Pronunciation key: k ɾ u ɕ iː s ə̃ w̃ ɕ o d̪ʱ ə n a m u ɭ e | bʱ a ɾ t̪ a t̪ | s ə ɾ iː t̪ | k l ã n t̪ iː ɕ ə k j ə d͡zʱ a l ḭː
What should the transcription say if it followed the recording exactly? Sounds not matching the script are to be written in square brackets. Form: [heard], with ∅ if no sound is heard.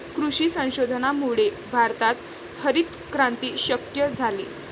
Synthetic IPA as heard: k ɾ u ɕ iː s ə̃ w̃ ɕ o d̪ʱ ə n a m u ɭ e | bʱ a ɾ t̪ a t̪ | [h] ə ɾ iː t̪ | k [ɾ] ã n t̪ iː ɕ ə k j ə d͡zʱ a l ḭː